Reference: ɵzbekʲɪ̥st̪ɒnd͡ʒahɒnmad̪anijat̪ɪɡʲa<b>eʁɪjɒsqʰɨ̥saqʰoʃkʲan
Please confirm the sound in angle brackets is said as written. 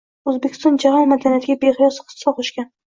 yes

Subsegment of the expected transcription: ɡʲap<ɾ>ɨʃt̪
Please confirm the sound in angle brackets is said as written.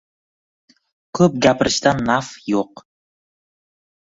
yes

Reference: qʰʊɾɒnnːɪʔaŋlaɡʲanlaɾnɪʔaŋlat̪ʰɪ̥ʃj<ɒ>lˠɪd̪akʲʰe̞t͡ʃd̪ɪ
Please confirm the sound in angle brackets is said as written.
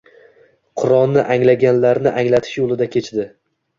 no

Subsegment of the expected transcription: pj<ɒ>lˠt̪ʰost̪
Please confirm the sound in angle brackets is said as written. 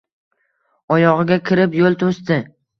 no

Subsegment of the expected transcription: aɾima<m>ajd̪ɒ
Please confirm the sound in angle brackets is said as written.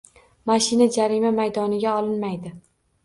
yes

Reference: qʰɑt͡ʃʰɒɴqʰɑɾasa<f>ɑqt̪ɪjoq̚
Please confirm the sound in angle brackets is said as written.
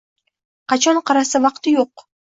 no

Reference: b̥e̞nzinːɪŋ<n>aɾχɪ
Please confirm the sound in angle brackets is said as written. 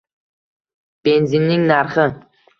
yes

